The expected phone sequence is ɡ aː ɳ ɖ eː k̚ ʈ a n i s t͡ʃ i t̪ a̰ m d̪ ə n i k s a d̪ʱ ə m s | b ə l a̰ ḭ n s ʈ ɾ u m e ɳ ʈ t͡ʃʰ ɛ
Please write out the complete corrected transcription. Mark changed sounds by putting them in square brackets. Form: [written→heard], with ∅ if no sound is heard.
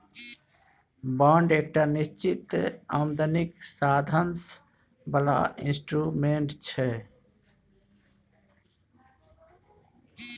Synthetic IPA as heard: [ɡ→b] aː ɳ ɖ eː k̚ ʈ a n i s t͡ʃ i t̪ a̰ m d̪ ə n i k s a d̪ʱ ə [m→n] s | b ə l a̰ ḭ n s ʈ ɾ u m e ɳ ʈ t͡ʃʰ ɛ